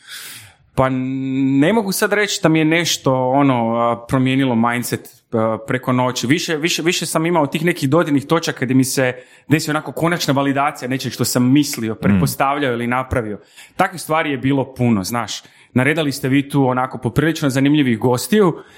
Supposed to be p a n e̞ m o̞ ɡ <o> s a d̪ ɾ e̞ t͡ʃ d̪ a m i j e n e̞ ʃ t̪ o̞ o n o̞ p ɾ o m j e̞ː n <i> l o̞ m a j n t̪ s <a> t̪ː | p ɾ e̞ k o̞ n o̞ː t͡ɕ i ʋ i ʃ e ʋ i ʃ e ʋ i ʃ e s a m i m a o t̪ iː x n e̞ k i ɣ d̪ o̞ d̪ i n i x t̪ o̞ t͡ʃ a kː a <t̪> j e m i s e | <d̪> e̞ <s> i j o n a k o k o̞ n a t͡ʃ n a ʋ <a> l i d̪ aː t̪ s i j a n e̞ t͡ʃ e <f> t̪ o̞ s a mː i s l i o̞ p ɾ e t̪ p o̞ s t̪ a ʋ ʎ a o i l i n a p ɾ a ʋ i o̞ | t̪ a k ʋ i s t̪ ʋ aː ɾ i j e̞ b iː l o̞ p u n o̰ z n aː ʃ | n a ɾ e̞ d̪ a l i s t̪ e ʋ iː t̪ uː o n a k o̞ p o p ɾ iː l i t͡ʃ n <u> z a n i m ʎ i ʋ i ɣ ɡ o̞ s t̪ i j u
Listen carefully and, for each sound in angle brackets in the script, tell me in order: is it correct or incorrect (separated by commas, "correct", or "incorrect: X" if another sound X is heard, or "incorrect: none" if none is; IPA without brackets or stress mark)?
incorrect: u, correct, incorrect: e, incorrect: d̪, correct, correct, correct, incorrect: ʃ, incorrect: o